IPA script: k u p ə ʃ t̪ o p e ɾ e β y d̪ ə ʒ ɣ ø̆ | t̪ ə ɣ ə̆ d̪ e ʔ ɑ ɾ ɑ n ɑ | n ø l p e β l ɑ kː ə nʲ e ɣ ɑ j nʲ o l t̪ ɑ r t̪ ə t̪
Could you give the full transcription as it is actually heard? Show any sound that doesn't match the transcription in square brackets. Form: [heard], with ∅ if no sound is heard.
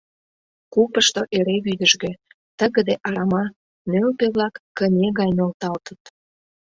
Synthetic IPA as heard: k u p ə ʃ t̪ o [ʔ] e ɾ e β y d̪ ə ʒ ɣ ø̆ | t̪ ə ɣ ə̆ d̪ e ʔ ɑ ɾ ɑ [m] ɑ | n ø l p e β l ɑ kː ə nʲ e ɣ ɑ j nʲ o l t̪ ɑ [l] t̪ ə t̪